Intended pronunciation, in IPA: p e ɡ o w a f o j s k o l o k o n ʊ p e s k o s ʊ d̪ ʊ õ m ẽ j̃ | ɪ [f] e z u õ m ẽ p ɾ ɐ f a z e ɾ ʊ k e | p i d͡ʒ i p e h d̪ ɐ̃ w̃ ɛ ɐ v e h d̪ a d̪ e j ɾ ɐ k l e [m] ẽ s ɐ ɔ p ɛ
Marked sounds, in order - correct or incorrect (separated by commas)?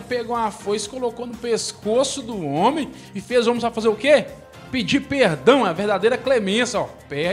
correct, correct